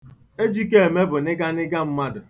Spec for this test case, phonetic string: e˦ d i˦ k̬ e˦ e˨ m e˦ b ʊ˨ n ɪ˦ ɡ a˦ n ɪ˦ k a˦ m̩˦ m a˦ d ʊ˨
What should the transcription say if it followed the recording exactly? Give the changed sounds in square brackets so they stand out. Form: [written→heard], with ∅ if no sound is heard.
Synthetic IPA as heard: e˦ [d→d͡ʒ] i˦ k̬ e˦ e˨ m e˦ b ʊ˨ n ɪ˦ ɡ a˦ n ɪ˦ [k→ɡ] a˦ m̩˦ m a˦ d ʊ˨